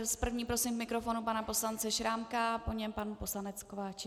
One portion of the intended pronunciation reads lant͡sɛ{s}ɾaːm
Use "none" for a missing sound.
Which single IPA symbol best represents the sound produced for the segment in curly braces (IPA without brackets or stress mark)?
ʃ